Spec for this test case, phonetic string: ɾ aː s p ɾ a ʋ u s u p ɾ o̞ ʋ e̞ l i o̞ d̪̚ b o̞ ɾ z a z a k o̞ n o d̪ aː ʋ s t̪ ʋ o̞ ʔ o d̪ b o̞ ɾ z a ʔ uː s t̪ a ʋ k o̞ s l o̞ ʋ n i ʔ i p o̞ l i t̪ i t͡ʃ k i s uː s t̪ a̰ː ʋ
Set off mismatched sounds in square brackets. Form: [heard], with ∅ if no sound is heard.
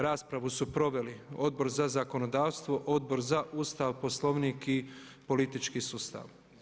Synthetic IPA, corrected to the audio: ɾ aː s p ɾ a ʋ u s u p ɾ o̞ ʋ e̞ l i o̞ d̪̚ b o̞ ɾ z a z a k o̞ n o d̪ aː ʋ s t̪ ʋ o̞ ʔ o d̪ b o̞ ɾ z a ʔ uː s t̪ a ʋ [p] o̞ s l o̞ ʋ n i [k] i p o̞ l i t̪ i t͡ʃ k i s uː s t̪ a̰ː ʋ